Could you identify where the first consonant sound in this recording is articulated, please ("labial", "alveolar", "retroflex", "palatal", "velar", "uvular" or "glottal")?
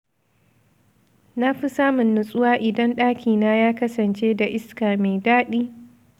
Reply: alveolar